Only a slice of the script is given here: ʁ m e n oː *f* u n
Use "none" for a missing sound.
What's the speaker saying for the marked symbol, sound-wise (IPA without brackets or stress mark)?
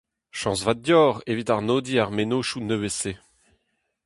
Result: ʃ